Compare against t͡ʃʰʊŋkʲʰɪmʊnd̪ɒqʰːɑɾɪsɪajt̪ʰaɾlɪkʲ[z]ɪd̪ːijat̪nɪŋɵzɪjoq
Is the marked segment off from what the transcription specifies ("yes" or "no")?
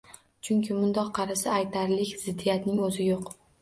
no